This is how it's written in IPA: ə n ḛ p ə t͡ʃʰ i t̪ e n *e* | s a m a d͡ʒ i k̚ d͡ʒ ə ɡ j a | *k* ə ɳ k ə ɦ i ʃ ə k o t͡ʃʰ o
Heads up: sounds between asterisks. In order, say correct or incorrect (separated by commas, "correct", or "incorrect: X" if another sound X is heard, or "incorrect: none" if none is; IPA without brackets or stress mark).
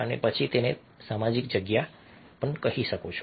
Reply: correct, incorrect: p